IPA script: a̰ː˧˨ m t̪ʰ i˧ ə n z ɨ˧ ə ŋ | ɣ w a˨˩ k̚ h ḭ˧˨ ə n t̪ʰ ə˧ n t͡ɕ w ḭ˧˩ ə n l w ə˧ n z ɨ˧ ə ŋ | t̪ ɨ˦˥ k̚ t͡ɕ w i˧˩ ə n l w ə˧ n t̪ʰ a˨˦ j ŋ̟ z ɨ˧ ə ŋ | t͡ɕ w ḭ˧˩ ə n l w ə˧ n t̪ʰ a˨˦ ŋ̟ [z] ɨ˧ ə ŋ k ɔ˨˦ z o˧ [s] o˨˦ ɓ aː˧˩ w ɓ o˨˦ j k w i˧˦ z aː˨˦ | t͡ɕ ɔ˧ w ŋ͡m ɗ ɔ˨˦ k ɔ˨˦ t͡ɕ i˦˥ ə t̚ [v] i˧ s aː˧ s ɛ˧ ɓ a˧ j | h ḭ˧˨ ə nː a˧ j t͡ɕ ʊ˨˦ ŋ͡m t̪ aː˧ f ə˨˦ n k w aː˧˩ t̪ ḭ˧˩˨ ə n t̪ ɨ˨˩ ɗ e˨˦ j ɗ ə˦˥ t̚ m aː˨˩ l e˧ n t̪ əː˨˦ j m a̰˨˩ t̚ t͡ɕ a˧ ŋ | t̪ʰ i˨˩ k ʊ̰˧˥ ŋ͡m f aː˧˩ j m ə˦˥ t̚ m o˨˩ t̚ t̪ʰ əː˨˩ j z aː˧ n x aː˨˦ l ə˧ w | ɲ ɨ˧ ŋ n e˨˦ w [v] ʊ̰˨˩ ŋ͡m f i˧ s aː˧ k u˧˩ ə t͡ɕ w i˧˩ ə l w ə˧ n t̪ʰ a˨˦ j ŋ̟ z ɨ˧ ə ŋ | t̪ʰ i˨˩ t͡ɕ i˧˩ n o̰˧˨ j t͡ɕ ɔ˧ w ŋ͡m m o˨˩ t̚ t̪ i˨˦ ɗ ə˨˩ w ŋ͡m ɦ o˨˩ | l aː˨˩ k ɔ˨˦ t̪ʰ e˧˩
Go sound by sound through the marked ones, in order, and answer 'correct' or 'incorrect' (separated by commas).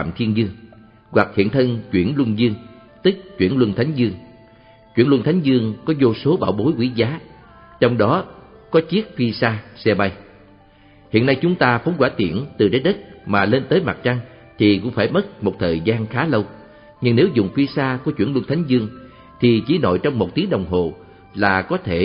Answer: correct, correct, incorrect, incorrect